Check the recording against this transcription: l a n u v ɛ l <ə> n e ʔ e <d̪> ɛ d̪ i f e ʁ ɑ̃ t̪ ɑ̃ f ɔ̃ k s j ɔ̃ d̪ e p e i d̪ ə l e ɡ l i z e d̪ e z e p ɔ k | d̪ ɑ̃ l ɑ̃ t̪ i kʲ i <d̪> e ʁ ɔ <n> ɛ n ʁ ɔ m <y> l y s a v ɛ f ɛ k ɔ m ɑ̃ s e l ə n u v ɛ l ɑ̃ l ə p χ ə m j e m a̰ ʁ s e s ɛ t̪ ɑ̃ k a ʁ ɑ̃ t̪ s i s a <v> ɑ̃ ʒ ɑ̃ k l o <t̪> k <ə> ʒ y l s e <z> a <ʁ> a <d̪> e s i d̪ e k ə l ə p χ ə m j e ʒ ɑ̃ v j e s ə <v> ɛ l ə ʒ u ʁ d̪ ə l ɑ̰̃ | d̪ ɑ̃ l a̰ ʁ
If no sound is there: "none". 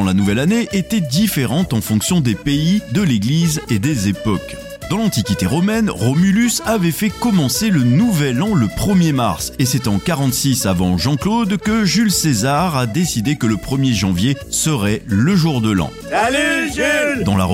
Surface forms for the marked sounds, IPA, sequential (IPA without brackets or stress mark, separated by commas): a, t̪, t̪, m, y, v, d̪, ə, z, ʁ, d̪, ʁ